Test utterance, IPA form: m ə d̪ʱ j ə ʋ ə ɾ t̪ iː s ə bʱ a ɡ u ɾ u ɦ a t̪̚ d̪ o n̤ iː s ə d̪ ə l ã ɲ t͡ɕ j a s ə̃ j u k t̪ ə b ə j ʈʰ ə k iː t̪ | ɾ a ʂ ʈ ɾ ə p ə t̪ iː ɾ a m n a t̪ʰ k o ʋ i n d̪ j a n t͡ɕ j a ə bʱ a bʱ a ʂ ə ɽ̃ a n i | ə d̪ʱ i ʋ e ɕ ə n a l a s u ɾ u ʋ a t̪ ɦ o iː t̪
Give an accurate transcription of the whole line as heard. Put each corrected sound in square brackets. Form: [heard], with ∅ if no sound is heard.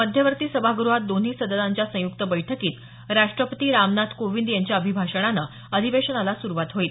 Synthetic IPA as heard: m ə d̪ʱ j ə ʋ ə ɾ t̪ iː s ə bʱ a ɡ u ɾ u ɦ a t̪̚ d̪ o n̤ iː s ə d̪ ə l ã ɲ t͡ɕ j a s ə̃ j u k t̪ ə b ə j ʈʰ ə k iː t̪ | ɾ a ʂ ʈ ɾ ə p ə t̪ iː ɾ a m n a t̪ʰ k o ʋ i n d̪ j a [ɲ] t͡ɕ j a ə bʱ [i] bʱ a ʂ ə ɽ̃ a n [a] | ə d̪ʱ i ʋ e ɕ ə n a l a s u ɾ u ʋ a t̪ ɦ o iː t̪